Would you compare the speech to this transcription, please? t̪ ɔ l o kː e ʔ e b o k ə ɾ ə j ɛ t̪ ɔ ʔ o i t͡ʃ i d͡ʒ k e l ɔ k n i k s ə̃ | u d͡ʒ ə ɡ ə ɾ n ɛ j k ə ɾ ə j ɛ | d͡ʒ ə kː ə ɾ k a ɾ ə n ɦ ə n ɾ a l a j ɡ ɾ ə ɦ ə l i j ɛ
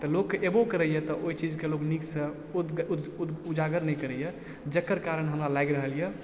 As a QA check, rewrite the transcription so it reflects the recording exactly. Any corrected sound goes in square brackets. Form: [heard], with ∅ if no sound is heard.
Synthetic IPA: t̪ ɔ l o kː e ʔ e b o k ə ɾ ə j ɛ t̪ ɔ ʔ o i t͡ʃ i d͡ʒ k e l [o] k n i k s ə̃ | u d͡ʒ [a] ɡ ə ɾ n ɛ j k ə ɾ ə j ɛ | d͡ʒ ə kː ə ɾ k a ɾ ə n ɦ ə [m] ɾ a l a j ɡ ɾ ə ɦ ə l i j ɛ